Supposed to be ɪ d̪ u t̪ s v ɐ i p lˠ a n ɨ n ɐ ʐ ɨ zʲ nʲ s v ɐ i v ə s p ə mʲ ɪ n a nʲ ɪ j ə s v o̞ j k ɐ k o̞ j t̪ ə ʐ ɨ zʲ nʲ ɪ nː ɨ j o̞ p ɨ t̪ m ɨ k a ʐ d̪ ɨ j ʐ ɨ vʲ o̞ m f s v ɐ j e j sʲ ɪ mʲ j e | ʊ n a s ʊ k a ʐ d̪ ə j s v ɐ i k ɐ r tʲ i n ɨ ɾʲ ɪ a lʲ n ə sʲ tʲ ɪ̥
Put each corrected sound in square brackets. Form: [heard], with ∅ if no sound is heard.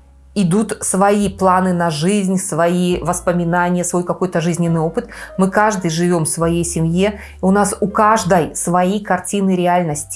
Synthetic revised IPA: ɪ d̪ u t̪ s v ɐ i p lˠ a n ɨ n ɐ ʐ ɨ zʲ nʲ s v ɐ i v ə s p ə mʲ ɪ n a nʲ ɪ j ə s v o̞ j k ɐ k o̞ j t̪ ə ʐ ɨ zʲ nʲ ɪ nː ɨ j o̞ p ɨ t̪ m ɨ k a ʐ d̪ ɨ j ʐ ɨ vʲ o̞ m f s v ɐ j e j sʲ ɪ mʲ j e | ʊ n a s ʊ k a ʐ d̪ ə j s v ɐ i k ɐ r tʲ i n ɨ ɾʲ ɪ a lʲ n ə sʲ tʲ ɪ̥